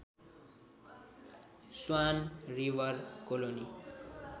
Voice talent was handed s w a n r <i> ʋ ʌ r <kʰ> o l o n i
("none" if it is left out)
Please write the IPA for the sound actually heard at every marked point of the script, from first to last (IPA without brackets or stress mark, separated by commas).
i, k